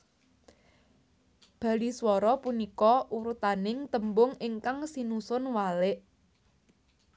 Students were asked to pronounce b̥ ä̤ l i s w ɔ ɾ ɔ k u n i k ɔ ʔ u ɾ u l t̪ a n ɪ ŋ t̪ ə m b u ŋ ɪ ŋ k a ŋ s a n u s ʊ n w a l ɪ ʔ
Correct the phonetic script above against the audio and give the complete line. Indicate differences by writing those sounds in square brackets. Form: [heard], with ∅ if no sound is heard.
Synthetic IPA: b̥ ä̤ l i s w ɔ ɾ ɔ [p] u n i k ɔ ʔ u ɾ u [∅] t̪ a n ɪ ŋ t̪ ə m b [ʊ] ŋ ɪ ŋ k a ŋ s [i] n u s ʊ n w a l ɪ ʔ